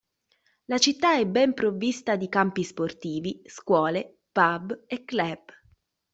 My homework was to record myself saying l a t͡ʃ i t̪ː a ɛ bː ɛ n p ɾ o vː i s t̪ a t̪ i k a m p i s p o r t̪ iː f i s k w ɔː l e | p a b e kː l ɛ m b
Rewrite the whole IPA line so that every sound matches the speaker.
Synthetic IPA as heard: l a t͡ʃ i t̪ː a ɛ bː ɛ m p ɾ o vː i s t̪ a d̪ i k a m p i s p o r t̪ iː v i s k w ɔː l e | p a b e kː l ɛ b

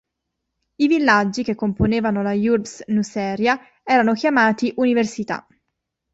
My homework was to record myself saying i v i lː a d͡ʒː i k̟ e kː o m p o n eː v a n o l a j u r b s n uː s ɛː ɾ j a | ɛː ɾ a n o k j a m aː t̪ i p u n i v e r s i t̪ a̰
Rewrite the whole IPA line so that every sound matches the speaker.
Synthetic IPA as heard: i v i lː a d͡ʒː i k̟ e kː o m p o n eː v a n o l a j u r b s n u s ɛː ɾ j a | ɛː ɾ a n o k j a m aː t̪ i ʔ u n i v e r s i t̪ a̰

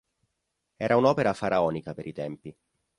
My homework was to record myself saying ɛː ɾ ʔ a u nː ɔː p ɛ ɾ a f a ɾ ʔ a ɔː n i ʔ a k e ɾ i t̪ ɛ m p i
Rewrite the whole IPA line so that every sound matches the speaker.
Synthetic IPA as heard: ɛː ɾ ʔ a u n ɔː p e ɾ a f a ɾ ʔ a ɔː n i k a p e ɾ i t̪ ɛ m p i

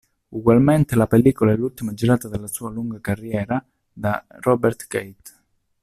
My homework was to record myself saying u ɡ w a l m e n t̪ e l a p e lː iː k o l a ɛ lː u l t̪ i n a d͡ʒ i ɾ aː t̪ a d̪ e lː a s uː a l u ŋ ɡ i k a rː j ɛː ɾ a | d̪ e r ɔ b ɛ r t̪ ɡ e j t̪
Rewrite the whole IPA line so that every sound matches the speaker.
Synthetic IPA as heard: u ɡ w a l m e n t̪ e l a p e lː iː k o l a ɛ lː u l t̪ i m a d͡ʒ i ɾ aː t̪ a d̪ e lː a s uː a l u ŋ ɡ a k a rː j ɛː ɾ a | d̪ a r ɔ b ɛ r t̪ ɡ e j t̪

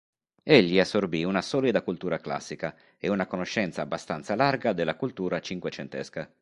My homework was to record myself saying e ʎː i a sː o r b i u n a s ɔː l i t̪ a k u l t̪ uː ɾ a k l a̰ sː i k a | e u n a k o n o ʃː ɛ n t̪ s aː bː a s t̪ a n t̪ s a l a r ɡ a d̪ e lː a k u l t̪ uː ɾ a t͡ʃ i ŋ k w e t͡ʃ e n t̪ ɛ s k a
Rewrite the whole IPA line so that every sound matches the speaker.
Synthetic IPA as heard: e ʎː i a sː o r b i u n a s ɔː l i d̪ a k u l t̪ uː ɾ a k l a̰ sː i k a | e u n a k o n o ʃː ɛ n t̪ s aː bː a s t̪ a n t̪ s a l a r ɡ a d̪ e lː a k u l t̪ uː ɾ a t͡ʃ i ŋ k w e t͡ʃ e n t̪ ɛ s k a

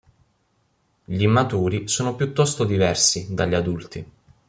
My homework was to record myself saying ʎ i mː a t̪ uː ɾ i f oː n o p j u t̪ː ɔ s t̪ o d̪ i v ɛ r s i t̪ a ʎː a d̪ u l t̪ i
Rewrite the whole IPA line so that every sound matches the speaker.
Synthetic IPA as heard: ʎ i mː a t̪ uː ɾ i s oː n o p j u t̪ː ɔ s t̪ o d̪ i v ɛ r s i d̪ a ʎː a d̪ u l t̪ i

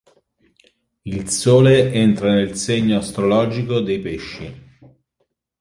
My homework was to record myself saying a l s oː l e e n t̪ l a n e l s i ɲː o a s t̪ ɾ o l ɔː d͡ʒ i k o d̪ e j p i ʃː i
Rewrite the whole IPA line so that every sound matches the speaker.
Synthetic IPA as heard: i l s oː l e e n t̪ ɾ a n e l s e ɲː o a s t̪ ɾ o l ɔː d͡ʒ i k o d̪ e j p e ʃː i

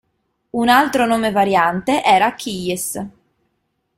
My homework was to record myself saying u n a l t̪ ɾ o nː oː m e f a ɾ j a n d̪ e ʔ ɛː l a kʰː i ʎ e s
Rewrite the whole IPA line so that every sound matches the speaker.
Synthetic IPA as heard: u n a l t̪ ɾ o n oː m e v a ɾ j a n t̪ e ʔ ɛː ɾ a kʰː i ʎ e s

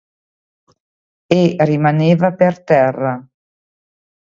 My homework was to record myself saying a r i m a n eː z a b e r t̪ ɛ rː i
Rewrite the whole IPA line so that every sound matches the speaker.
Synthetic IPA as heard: e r i m a n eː v a p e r t̪ ɛ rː a

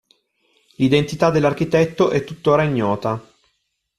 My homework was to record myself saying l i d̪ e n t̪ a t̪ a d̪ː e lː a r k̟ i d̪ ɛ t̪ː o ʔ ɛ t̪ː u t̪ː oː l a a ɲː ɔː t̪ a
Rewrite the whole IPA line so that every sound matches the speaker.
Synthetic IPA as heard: l i d̪ e n t̪ i t̪ a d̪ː e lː a r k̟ i t̪ ɛ t̪ː o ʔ ɛ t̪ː u t̪ː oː ɾ a i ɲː ɔː t̪ a

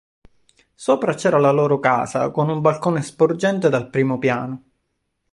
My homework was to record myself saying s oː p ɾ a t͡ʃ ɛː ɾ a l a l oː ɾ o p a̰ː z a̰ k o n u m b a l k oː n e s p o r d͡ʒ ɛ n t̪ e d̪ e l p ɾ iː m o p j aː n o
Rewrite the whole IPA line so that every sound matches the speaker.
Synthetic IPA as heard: s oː p ɾ a t͡ʃ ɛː ɾ a l a l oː ɾ o k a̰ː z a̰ k o n u m b a l k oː n e s p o r d͡ʒ ɛ n t̪ e d̪ a l p ɾ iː m o p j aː n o

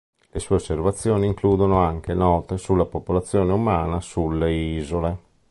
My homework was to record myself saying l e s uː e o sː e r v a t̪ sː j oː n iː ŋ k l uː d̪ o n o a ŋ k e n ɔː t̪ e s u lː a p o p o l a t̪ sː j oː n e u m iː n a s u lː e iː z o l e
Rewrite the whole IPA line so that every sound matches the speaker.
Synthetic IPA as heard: l e s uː e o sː e r v a t̪ sː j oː n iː ŋ k l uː d̪ o n o a ŋ k e n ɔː t̪ e s u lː a p o p o l a t̪ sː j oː n e u m aː n a s u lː e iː z o l e

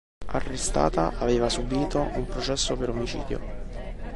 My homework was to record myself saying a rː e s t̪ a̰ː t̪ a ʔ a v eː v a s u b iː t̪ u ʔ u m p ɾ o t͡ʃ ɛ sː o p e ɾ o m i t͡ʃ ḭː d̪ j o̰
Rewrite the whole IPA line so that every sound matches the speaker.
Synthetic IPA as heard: a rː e s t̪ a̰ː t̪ a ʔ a v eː v a s u b iː t̪ o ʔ u m p ɾ o t͡ʃ ɛ sː o p e ɾ o m i t͡ʃ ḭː d̪ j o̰

